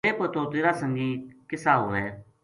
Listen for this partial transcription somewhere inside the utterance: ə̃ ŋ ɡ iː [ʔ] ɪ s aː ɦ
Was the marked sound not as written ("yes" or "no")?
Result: yes